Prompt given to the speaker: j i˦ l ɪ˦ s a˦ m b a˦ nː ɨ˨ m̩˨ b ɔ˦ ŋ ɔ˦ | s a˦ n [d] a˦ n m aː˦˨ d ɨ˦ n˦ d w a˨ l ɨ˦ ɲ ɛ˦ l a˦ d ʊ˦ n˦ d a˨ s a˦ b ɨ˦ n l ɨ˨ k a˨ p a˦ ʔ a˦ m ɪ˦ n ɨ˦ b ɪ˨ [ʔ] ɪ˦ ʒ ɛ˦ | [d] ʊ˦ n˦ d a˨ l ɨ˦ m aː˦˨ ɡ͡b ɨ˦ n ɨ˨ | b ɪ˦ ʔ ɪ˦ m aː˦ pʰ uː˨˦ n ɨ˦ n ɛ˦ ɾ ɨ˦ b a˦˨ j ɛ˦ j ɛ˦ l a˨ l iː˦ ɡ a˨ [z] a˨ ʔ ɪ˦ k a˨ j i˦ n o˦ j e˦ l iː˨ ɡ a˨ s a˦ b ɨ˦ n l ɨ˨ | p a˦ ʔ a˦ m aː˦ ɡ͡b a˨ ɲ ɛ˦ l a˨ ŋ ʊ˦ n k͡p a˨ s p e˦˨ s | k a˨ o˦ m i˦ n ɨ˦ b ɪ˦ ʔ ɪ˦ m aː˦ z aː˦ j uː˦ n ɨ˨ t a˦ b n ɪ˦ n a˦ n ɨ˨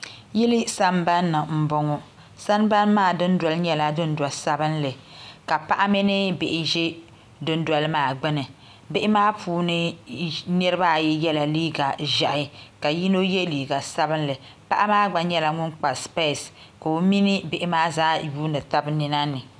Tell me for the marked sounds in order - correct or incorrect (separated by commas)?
incorrect, correct, correct, incorrect